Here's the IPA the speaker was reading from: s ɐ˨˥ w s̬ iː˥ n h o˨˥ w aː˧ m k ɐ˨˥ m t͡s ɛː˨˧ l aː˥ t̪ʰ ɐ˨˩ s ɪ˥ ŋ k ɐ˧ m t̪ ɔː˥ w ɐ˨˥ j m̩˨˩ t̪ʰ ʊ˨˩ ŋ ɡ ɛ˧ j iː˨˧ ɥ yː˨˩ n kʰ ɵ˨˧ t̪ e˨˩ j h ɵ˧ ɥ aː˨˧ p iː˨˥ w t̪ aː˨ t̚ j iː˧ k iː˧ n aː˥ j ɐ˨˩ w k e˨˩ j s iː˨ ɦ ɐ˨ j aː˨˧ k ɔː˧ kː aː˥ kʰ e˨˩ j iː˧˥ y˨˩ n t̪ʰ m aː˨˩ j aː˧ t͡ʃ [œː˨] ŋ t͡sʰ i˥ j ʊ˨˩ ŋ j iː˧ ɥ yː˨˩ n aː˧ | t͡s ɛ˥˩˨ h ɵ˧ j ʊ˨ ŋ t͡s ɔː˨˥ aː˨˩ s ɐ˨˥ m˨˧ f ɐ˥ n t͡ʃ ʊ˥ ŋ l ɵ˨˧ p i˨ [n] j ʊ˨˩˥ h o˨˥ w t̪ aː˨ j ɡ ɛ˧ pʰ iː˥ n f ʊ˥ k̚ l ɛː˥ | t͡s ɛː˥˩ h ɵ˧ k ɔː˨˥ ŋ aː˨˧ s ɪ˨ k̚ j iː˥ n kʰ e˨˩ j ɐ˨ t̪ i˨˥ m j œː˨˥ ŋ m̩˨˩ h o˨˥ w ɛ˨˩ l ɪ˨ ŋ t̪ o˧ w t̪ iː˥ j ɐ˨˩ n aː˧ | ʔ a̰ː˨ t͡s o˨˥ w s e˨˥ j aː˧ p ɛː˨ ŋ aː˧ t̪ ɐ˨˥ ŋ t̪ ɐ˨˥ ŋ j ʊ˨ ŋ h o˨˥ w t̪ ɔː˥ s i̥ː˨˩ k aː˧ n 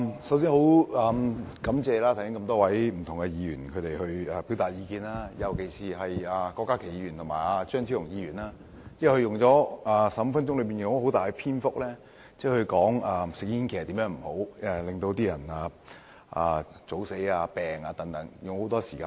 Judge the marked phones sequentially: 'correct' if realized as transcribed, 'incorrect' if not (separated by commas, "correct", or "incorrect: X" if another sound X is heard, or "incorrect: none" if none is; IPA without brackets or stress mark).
incorrect: œː˥, correct